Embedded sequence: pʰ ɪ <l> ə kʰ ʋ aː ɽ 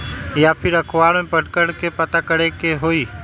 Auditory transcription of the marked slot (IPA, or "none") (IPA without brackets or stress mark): ɾ